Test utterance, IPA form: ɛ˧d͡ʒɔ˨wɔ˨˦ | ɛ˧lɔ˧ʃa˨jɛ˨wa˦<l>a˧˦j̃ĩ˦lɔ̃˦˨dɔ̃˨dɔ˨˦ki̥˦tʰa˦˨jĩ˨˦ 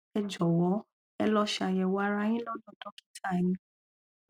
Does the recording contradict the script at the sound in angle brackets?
yes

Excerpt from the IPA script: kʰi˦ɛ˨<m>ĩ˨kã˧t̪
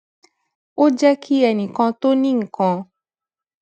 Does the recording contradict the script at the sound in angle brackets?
yes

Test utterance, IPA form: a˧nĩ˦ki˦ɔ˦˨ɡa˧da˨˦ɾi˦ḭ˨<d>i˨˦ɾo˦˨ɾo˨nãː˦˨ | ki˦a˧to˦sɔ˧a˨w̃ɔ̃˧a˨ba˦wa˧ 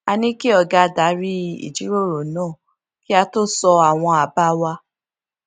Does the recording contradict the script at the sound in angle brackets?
yes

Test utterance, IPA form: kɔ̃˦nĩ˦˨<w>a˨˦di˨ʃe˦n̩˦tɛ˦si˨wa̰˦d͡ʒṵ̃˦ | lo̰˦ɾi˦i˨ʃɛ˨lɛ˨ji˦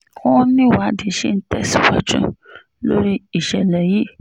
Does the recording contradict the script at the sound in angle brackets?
no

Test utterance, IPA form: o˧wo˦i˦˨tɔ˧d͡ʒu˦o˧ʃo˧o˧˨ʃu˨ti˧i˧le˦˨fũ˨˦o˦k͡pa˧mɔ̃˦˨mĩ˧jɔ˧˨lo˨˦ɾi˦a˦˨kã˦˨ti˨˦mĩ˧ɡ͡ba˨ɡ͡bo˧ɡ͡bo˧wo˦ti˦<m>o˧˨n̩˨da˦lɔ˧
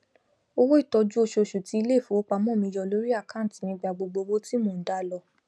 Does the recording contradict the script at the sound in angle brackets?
no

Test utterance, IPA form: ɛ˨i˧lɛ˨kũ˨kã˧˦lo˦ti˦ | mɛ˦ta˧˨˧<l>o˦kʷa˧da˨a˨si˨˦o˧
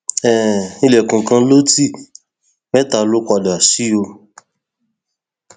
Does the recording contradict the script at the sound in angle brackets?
no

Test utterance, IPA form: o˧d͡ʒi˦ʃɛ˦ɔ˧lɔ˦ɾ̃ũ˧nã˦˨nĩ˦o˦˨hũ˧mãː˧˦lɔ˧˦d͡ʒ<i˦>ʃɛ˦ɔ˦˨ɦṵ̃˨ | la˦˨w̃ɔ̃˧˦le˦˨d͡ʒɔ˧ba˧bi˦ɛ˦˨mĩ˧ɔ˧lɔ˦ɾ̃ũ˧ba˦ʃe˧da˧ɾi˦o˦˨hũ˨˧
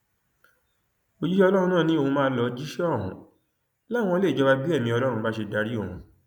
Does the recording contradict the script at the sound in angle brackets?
no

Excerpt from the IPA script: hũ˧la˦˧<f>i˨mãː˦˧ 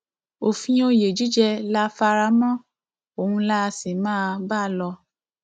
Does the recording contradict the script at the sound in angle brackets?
yes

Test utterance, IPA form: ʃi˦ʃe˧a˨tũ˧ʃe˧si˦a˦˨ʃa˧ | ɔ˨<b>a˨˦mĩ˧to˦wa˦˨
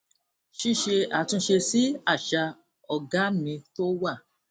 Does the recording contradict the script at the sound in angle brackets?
yes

